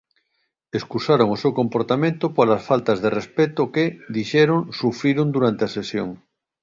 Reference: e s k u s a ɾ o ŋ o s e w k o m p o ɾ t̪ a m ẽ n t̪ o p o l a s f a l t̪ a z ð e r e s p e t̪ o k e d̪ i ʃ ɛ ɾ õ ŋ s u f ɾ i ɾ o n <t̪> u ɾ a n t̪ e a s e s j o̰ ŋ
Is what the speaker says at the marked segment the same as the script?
no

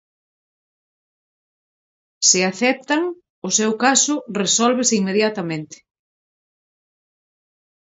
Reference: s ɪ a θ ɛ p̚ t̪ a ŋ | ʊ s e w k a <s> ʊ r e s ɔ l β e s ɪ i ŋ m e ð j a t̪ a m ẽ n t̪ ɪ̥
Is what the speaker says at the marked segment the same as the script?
yes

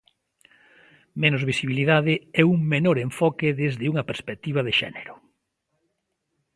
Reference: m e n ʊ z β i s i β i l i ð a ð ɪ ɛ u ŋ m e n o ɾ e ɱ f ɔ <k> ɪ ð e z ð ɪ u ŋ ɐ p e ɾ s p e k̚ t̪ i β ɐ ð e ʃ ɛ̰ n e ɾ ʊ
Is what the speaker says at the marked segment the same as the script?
yes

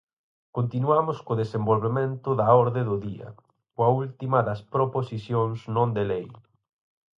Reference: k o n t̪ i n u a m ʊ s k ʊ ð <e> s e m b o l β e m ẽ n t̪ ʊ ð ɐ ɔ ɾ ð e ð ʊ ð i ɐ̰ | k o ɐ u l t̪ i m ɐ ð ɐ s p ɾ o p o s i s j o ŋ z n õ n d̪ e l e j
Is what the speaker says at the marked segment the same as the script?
yes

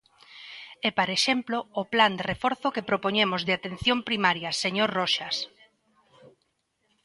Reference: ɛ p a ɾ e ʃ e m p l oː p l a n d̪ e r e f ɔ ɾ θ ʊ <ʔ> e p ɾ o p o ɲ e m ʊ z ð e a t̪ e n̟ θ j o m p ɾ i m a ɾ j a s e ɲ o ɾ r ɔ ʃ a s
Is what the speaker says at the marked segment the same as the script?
no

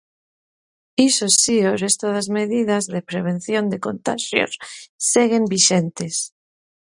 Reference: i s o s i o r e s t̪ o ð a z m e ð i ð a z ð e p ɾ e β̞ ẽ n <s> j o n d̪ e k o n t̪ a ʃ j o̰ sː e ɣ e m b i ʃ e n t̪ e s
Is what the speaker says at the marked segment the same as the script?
no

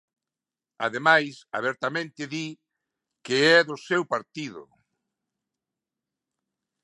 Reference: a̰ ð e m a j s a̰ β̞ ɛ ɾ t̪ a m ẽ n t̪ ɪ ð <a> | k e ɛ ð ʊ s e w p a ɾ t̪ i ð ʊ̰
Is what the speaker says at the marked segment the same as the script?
no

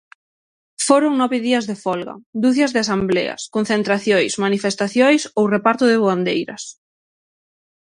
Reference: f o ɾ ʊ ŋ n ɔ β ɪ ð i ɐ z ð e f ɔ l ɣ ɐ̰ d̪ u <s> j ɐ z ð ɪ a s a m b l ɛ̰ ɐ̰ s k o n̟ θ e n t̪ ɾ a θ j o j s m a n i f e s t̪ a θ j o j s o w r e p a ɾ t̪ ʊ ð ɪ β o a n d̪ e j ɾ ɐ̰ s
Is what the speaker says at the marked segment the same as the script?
no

